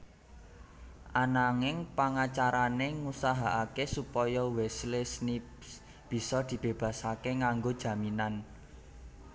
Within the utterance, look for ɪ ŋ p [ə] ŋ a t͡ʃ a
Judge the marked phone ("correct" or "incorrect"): incorrect